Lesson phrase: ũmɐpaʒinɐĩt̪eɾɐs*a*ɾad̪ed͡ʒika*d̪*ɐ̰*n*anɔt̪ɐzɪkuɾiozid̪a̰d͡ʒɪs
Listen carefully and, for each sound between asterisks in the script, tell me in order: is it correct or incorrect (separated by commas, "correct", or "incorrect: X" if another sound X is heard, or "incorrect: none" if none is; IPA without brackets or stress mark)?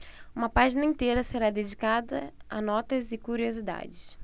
incorrect: e, correct, incorrect: none